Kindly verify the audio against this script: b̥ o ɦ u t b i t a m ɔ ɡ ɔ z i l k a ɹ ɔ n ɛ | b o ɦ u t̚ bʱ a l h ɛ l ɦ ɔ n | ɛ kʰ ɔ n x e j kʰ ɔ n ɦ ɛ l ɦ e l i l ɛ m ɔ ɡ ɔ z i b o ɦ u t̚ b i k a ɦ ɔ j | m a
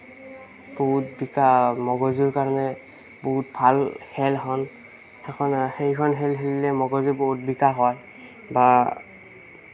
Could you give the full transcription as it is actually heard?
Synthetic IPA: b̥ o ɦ u t b i k a m ɔ ɡ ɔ z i ɹ k a ɹ ɔ n ɛ | b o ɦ u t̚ bʱ a l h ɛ l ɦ ɔ n | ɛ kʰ ɔ n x e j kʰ ɔ n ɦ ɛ l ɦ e l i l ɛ m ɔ ɡ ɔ z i b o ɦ u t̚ b i k a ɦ ɔ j | b a

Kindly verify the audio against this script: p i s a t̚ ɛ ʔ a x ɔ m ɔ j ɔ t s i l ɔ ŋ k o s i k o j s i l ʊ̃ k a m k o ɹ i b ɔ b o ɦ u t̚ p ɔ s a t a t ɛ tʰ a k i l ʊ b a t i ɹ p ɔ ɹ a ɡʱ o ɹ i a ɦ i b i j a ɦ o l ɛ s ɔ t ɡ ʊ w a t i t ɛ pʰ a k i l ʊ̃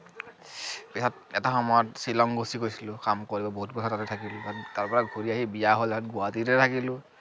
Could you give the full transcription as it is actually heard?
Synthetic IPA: p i s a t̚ ɛ t a x ɔ m ɔ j ɔ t s i l ɔ ŋ ɡ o s i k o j s i l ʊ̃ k a m k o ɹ i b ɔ b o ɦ u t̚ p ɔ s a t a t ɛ tʰ a k i l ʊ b a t a ɹ p ɔ ɹ a ɡʱ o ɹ i a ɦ i b i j a ɦ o l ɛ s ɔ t ɡ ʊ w a t i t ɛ tʰ a k i l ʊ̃

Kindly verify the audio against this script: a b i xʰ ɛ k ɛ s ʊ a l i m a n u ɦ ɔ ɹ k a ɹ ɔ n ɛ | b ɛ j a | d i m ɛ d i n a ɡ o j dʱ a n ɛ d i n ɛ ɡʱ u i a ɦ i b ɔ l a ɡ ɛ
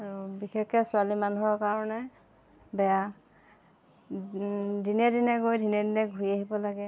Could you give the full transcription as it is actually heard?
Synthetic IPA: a b i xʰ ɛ k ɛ s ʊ a l i m a n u ɦ ɔ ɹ k a ɹ ɔ n ɛ | b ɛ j a | d i n ɛ d i n ɛ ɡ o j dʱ i n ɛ d i n ɛ ɡʱ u i a ɦ i b ɔ l a ɡ ɛ

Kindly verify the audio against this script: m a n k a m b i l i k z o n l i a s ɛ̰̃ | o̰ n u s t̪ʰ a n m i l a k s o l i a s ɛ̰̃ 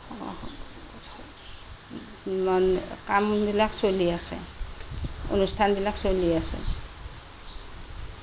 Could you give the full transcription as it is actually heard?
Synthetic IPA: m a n k a m b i l a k s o l i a s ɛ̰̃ | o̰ n u s t̪ʰ a n b i l a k s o l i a s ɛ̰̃

